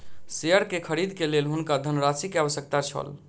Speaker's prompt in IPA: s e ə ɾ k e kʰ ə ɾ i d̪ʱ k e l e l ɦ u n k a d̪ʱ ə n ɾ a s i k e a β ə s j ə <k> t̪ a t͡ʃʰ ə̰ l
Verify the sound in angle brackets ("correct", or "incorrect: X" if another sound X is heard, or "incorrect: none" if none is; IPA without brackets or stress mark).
correct